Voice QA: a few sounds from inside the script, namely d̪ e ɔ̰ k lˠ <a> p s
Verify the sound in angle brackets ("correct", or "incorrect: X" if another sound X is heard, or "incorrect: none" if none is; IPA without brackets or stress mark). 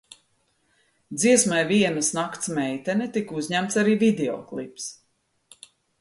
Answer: incorrect: i